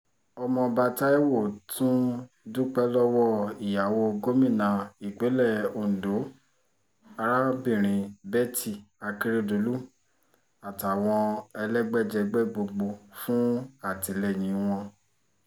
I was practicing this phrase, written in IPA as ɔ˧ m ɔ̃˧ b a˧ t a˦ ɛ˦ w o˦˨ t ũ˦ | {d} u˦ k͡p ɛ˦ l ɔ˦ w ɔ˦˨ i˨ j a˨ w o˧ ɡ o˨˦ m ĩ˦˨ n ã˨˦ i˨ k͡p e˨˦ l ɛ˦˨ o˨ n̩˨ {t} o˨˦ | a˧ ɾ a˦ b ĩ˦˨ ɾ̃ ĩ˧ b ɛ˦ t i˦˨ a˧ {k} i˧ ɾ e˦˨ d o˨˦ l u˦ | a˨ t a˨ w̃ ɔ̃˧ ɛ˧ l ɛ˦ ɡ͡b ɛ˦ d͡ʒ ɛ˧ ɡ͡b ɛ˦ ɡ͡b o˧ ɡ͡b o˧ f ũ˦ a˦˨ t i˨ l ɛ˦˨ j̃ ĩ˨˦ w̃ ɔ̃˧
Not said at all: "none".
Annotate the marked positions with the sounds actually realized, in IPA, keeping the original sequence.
d, d, k

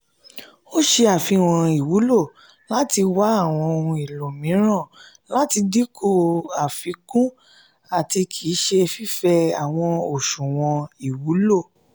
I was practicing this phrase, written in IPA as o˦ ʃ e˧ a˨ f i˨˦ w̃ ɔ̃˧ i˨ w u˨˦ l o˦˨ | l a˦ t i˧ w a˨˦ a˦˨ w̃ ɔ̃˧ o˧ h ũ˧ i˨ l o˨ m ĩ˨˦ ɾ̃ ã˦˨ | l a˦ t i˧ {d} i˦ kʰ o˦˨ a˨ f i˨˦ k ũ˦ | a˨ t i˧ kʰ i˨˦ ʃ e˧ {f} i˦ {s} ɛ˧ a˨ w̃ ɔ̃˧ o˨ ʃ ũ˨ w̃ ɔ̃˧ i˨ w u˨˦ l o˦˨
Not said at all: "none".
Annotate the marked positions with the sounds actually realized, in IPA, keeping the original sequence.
d, f, f

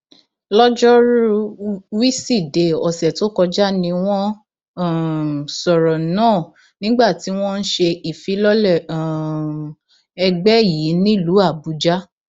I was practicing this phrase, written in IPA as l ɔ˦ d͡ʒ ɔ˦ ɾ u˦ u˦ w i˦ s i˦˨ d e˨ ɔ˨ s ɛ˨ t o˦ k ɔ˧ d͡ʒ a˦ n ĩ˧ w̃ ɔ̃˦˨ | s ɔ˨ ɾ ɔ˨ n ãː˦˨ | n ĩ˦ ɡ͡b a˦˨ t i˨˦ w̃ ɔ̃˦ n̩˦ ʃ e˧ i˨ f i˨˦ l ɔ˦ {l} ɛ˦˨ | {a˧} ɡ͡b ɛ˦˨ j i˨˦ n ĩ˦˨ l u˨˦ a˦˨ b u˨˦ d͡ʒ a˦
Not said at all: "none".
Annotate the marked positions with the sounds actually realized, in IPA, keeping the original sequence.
l, ɛ˧

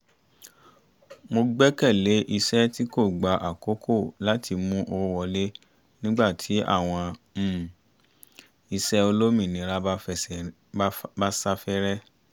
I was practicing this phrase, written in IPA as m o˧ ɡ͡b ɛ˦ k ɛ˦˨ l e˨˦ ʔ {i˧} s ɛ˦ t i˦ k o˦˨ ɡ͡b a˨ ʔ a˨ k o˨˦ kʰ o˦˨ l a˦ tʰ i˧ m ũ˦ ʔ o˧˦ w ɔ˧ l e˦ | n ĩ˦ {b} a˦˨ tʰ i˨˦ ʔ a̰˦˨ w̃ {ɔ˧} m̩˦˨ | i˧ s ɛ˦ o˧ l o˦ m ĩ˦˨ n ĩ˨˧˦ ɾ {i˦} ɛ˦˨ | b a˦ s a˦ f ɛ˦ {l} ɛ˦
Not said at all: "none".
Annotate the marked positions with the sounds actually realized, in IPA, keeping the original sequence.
i˧, ɡ͡b, ɔ̃˧, a˦, ɾ

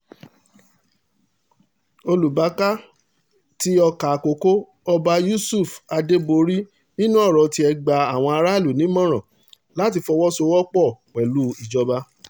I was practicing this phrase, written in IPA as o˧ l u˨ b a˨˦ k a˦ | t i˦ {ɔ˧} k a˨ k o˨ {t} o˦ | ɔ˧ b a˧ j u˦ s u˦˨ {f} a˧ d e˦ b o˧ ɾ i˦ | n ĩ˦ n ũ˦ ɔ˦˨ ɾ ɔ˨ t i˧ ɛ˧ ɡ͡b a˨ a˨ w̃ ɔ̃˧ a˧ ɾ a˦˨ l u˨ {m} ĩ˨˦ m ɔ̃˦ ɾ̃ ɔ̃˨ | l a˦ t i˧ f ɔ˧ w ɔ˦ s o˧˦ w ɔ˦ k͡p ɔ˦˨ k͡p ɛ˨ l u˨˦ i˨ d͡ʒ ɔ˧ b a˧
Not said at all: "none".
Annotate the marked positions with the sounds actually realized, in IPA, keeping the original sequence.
ɔ˧, k, f, n

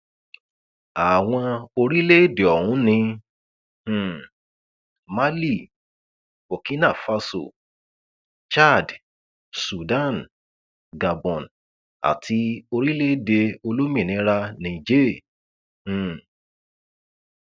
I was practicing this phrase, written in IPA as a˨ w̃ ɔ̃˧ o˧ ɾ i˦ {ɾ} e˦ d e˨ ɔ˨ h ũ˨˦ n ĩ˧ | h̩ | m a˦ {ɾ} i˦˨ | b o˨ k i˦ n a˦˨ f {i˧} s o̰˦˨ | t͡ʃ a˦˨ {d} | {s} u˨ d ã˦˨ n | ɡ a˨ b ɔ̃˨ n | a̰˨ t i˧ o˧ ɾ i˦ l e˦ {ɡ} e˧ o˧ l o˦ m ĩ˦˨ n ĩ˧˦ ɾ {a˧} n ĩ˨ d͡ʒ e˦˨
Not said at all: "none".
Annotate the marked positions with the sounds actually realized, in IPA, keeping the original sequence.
l, l, a˧, d, s, d, a˧

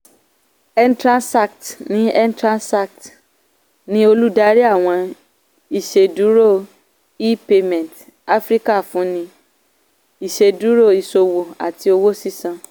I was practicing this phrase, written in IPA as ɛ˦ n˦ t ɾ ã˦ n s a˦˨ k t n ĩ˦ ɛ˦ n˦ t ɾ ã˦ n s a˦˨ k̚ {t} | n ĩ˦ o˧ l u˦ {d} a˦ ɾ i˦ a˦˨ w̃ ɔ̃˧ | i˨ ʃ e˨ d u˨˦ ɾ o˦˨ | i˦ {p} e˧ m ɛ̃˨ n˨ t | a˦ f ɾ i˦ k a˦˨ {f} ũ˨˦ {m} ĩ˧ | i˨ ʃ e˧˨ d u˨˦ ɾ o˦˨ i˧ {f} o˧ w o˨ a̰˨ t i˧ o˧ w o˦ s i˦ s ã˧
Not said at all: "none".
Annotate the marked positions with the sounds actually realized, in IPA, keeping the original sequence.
t, d, p, f, n, s

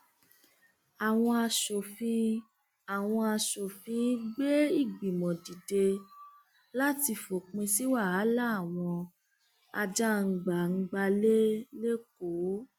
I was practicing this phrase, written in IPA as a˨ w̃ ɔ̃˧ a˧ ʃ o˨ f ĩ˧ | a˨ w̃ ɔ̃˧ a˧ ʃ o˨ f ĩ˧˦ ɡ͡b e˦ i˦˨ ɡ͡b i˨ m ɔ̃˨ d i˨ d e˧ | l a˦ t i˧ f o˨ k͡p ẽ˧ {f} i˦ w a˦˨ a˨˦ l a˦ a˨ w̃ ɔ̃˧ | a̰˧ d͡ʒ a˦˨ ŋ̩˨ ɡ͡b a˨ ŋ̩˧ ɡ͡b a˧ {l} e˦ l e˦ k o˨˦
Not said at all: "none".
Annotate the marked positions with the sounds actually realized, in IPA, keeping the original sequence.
s, l

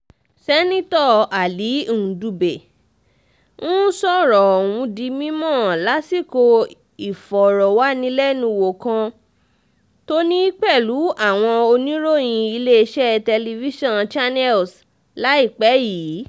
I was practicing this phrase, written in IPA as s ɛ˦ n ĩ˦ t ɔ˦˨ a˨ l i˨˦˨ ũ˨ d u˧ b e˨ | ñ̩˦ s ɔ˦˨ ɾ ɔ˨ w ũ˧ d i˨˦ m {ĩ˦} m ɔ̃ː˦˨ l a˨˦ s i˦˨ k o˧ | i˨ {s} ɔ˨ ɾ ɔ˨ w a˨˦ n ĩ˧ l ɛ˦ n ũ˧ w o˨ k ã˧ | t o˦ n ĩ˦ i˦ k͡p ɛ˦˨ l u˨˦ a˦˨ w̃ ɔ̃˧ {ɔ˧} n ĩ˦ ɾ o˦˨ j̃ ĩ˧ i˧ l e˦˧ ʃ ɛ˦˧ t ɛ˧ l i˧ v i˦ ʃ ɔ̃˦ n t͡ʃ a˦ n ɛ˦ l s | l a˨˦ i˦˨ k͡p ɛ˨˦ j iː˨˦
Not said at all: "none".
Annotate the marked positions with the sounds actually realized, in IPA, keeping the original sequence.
ĩ˦, f, o˧

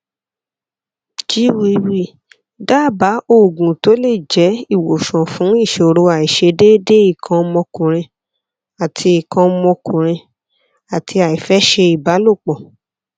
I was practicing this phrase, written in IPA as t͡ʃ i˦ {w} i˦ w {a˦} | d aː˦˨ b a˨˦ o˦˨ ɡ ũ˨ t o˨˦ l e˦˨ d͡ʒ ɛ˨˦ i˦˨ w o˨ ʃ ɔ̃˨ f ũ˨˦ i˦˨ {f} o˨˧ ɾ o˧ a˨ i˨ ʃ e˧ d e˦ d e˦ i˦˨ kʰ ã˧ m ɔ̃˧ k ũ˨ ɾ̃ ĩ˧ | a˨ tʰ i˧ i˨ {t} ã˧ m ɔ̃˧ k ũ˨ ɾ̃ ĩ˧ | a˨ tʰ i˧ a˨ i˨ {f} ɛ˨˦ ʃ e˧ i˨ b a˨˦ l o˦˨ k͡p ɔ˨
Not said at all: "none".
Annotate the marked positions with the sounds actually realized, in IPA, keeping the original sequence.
w, i˦, ʃ, k, f

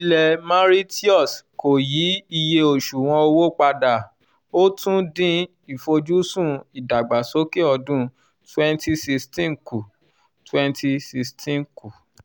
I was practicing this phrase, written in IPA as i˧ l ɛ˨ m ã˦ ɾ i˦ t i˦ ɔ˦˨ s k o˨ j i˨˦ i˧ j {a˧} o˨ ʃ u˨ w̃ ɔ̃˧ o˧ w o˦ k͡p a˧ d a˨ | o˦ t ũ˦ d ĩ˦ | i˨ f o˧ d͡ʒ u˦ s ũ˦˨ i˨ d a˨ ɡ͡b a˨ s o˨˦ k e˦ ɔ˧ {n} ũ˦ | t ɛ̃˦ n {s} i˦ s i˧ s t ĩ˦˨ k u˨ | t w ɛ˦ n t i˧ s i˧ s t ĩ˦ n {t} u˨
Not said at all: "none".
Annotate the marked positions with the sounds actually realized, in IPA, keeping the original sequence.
e˧, d, t, k

